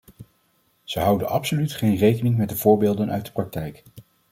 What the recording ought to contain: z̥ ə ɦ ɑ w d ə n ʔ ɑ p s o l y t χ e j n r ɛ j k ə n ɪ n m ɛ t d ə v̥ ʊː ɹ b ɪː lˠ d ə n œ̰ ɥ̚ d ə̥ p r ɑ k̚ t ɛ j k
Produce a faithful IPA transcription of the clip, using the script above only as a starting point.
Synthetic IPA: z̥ ə ɦ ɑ w d ə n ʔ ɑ p s o l y t χ e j n r e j k ə n ɪ ŋ m ɛ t d ə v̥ ʊː ɹ b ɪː lˠ d ə n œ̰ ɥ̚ d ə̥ p r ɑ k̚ t ɛ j k